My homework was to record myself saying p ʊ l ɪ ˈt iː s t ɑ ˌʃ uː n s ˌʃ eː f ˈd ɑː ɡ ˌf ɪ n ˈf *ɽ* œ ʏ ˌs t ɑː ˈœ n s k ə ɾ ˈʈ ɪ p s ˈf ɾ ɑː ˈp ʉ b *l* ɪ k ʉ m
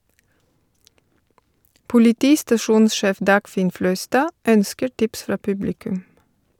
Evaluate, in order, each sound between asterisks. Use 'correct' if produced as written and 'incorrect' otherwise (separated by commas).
incorrect, correct